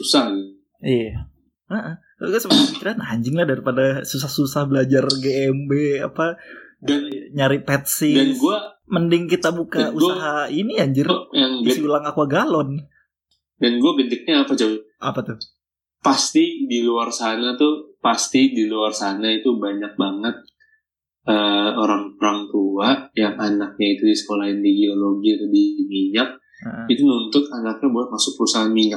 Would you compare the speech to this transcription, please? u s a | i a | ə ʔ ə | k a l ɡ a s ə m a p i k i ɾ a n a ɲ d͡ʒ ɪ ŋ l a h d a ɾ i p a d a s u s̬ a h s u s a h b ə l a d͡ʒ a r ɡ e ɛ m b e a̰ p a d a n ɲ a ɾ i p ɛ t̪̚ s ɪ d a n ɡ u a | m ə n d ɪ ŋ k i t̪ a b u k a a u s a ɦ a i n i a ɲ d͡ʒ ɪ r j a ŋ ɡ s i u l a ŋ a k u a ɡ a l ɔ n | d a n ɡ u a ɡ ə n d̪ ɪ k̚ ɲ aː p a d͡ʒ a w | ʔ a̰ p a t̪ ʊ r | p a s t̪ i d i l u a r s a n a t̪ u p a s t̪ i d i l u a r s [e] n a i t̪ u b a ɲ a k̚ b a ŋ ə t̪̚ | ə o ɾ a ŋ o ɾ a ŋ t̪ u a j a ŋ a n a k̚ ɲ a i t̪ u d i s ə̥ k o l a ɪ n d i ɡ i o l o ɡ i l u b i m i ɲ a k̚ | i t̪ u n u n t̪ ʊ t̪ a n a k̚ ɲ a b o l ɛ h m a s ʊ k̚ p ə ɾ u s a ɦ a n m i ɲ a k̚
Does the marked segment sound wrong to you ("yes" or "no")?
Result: yes